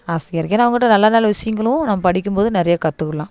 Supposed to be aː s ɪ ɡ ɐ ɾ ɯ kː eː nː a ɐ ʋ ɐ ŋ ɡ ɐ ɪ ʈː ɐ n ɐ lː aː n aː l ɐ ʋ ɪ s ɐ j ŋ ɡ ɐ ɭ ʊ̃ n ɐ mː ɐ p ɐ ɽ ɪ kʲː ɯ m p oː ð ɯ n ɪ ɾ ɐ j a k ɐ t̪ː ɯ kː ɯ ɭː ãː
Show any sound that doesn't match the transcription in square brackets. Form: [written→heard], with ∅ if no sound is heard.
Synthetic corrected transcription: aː s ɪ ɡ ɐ ɾ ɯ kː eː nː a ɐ ʋ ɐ ŋ ɡ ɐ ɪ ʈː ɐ n ɐ lː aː n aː l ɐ ʋ ɪ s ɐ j ŋ ɡ ɐ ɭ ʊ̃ n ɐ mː ɐ p ɐ ɽ ɪ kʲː ɯ m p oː ð ɯ n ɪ ɾ ɐ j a k ɐ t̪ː ɯ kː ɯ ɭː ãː